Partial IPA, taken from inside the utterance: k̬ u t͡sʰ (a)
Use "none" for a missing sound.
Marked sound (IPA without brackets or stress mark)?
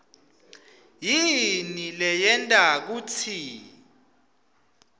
i